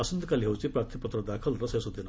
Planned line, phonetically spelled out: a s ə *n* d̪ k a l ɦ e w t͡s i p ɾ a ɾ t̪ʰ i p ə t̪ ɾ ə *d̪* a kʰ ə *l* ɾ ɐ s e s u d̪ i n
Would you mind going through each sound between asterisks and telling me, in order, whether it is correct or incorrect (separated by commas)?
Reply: correct, correct, correct